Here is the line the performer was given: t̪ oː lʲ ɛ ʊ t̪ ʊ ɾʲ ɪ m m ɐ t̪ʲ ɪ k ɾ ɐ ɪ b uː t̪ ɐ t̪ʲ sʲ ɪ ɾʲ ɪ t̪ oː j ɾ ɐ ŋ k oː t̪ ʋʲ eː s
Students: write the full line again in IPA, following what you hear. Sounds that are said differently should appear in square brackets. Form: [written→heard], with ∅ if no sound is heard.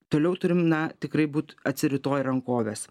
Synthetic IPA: t̪ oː lʲ ɛ ʊ t̪ ʊ ɾʲ ɪ m [m→n] ɐ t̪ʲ ɪ k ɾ ɐ ɪ b uː t̪ ɐ t̪ʲ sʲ ɪ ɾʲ ɪ t̪ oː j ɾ ɐ ŋ k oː [t̪→∅] ʋʲ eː s